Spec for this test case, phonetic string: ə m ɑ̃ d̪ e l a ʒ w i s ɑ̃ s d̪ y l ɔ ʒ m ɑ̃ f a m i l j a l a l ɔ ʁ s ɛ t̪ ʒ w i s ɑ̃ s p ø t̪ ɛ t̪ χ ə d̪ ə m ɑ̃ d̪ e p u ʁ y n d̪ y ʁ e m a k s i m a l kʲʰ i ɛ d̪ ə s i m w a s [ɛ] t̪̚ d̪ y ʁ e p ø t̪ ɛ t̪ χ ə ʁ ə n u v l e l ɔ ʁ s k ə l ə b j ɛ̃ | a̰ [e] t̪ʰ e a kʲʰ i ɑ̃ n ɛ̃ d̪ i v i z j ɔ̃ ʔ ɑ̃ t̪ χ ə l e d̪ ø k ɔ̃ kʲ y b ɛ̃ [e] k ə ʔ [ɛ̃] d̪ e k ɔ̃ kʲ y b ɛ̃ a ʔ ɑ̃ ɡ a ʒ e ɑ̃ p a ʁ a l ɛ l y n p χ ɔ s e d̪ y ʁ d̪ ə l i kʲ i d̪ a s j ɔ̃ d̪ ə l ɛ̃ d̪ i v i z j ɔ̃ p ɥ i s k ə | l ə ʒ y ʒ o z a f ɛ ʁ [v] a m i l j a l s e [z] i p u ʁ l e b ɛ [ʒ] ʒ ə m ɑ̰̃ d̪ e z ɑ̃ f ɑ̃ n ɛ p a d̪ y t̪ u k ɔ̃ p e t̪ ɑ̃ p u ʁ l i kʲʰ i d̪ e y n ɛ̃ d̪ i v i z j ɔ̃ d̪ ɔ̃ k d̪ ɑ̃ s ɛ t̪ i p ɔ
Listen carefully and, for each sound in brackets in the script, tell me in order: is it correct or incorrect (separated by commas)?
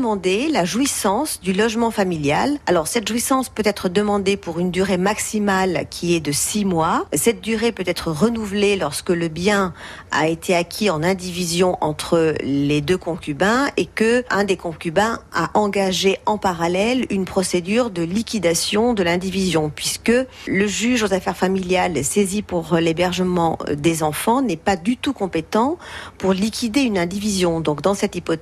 correct, correct, correct, correct, incorrect, correct, incorrect